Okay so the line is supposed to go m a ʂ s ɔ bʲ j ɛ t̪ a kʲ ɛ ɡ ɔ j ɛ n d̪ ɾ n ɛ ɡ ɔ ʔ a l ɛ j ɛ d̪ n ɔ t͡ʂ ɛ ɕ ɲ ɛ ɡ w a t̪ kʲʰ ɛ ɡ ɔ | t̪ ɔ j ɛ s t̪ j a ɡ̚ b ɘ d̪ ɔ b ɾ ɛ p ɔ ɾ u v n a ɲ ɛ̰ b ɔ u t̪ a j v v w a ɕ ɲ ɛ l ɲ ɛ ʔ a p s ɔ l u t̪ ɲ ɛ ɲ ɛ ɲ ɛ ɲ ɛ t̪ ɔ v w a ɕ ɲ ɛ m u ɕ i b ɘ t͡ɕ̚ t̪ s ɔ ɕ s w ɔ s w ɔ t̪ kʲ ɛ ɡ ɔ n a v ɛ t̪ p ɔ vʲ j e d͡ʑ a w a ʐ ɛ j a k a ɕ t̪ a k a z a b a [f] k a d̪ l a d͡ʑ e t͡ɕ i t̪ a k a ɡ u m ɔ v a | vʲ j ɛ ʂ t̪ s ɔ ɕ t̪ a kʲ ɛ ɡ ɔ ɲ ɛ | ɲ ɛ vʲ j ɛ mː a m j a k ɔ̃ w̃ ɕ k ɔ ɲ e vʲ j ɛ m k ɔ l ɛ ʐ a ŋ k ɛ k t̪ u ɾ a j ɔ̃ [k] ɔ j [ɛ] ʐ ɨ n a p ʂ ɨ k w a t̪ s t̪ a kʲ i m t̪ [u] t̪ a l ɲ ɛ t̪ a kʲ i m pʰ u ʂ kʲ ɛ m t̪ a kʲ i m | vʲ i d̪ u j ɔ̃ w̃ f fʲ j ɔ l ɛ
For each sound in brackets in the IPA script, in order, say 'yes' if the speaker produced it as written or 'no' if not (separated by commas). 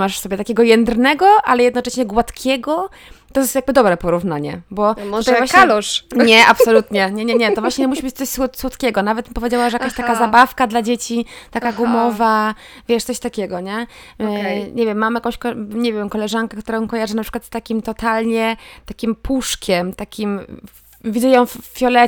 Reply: yes, yes, no, no